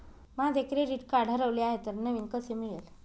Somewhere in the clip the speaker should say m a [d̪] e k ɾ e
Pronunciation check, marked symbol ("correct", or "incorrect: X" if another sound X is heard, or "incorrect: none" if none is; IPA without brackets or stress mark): correct